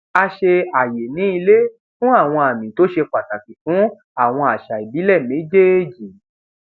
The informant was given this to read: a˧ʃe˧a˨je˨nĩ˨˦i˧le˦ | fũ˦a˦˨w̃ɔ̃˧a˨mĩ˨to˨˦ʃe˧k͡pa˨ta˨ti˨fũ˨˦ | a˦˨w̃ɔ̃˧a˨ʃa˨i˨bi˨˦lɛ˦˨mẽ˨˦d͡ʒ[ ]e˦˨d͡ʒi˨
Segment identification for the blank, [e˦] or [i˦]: e˦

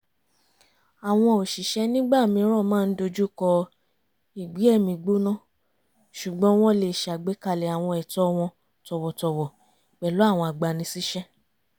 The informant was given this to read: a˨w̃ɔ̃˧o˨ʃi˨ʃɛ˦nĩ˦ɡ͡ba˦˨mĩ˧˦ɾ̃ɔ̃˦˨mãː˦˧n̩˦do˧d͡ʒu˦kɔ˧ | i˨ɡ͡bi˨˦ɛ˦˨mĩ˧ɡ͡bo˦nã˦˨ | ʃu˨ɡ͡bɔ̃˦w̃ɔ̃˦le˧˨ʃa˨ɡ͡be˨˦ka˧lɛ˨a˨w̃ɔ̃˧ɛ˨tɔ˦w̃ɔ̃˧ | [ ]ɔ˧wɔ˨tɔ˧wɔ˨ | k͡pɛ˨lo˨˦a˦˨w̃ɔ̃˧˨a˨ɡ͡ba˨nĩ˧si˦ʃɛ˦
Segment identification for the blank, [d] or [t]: t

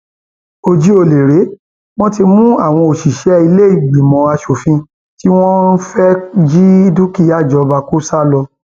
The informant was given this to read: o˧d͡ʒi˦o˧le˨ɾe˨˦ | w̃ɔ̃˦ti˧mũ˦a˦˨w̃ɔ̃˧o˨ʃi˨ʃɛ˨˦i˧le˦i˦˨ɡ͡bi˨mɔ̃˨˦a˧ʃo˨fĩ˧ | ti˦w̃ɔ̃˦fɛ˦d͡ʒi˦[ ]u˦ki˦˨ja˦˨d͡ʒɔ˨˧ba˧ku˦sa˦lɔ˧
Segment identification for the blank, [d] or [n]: d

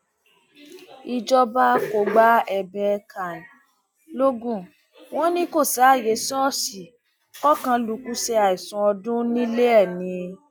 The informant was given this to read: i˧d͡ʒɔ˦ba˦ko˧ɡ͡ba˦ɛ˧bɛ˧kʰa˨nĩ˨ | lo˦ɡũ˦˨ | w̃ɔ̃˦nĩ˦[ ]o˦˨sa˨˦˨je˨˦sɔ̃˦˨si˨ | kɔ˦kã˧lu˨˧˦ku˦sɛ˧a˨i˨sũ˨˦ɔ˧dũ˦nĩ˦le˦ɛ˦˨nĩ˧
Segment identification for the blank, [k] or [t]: k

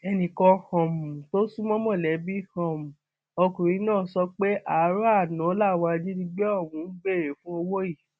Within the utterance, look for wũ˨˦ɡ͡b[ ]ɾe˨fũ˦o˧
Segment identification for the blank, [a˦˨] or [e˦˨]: e˦˨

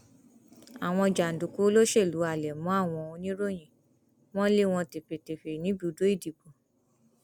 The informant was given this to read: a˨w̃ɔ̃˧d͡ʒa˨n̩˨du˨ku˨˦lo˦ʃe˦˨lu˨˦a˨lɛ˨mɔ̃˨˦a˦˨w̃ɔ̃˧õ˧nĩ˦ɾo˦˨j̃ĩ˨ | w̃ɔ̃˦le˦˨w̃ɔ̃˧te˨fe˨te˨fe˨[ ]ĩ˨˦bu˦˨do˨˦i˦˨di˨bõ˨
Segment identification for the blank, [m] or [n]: n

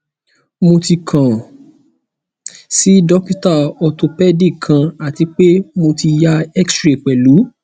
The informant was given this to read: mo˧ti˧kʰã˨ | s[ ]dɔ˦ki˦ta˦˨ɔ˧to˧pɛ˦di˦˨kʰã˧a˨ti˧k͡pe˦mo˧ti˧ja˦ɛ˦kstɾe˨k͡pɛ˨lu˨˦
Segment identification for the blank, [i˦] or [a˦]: i˦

